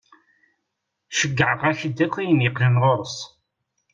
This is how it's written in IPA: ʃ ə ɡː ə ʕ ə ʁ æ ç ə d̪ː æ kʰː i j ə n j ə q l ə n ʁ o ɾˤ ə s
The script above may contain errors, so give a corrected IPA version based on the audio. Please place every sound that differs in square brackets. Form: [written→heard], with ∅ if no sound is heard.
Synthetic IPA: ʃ ə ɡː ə ʕ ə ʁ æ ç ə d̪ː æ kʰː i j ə n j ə q l ə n ʁ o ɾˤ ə s